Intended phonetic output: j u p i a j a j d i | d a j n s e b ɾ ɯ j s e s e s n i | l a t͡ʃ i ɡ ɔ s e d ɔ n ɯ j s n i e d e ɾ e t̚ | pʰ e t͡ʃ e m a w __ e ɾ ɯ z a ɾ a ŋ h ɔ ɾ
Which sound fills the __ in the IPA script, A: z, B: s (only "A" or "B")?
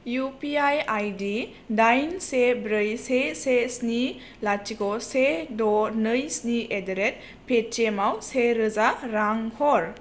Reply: B